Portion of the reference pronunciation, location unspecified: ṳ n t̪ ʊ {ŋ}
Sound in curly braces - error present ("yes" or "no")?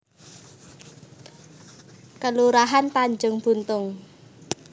no